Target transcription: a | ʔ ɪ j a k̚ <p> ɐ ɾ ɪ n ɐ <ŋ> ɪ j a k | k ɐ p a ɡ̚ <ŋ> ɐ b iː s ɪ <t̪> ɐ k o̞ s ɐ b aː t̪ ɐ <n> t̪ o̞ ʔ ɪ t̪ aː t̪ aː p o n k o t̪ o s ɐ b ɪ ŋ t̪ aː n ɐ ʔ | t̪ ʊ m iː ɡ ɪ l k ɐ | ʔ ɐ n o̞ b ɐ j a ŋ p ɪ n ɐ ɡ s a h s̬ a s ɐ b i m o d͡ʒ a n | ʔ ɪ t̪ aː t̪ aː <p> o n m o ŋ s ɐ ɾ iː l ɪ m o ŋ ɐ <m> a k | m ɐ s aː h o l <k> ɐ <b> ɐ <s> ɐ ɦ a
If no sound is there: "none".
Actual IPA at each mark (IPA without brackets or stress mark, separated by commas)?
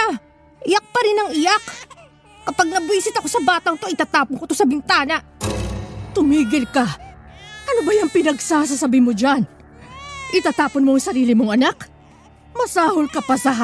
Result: p, ŋ, n, t̪, ŋ, p, n, k, p, s